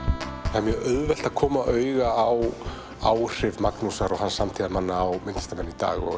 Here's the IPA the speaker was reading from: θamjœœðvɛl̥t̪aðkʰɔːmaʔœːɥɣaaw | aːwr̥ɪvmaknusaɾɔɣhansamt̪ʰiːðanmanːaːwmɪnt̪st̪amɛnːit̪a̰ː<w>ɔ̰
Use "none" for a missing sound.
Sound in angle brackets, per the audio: ɣ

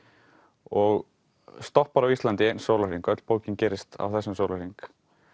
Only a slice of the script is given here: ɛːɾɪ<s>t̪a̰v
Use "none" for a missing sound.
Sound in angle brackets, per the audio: s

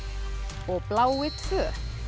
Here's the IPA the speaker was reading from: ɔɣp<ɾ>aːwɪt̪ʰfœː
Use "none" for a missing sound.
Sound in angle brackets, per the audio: l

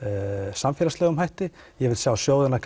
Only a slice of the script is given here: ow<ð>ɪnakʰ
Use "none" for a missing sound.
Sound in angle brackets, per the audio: ð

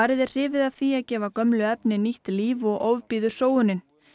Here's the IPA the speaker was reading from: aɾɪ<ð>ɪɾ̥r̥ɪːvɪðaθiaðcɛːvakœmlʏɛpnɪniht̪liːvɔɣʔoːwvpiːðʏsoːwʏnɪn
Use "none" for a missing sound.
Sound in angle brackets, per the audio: ð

